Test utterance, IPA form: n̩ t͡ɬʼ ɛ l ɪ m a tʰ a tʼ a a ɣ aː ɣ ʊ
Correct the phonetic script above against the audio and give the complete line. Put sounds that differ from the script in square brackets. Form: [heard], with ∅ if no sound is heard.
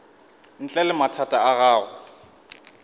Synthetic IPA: n̩ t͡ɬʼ ɛ l ɪ m a tʰ a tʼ a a ɣ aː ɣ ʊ